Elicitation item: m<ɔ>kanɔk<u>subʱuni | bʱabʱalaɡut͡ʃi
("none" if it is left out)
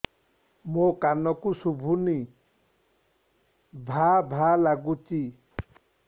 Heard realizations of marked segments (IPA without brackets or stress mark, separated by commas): o, u